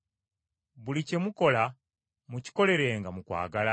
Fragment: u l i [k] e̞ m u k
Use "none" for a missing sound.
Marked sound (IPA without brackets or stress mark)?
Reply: c